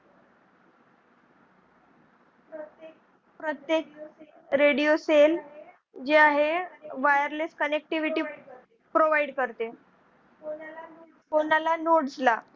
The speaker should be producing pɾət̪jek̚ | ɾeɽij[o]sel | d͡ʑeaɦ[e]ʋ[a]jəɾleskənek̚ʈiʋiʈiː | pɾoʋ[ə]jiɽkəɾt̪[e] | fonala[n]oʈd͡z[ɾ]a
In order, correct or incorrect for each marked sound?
correct, correct, correct, incorrect, correct, correct, incorrect

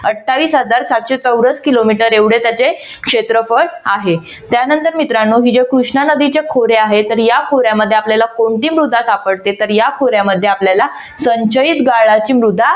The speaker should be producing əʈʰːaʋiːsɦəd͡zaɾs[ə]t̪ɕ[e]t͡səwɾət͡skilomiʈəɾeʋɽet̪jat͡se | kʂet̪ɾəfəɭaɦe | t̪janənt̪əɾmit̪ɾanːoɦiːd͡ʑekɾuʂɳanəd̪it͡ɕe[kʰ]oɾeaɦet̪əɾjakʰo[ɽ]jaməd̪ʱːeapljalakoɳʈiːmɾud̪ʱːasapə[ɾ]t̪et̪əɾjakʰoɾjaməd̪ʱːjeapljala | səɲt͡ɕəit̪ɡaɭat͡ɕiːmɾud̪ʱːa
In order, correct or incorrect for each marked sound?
incorrect, correct, correct, incorrect, incorrect

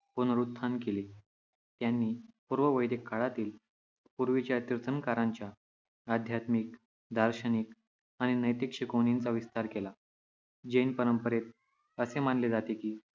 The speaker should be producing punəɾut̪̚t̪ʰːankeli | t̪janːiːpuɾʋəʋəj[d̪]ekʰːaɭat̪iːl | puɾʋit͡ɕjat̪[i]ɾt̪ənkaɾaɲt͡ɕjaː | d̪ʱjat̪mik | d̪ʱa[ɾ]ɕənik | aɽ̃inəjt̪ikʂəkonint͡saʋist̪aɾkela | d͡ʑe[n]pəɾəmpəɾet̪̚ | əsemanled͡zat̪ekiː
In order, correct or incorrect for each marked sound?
correct, correct, correct, correct

